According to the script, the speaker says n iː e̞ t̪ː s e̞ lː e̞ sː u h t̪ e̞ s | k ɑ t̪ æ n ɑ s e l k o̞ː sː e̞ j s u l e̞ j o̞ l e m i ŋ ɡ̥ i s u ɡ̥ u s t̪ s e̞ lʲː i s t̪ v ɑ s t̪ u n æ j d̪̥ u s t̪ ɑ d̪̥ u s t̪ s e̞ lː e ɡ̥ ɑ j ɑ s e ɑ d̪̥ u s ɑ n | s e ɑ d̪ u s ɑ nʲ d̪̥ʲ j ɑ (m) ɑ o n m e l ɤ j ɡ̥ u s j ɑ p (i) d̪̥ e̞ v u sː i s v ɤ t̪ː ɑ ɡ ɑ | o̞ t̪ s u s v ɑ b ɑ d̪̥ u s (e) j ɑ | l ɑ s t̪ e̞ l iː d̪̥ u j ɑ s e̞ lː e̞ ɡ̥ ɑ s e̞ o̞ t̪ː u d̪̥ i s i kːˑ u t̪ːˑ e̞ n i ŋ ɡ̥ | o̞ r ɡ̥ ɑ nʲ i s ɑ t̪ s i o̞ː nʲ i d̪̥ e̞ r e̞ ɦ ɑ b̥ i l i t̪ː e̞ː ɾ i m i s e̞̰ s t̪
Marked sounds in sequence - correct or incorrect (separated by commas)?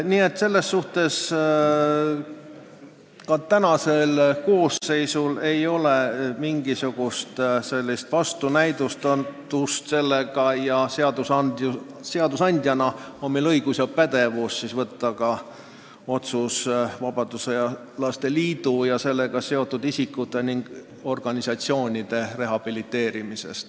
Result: incorrect, incorrect, correct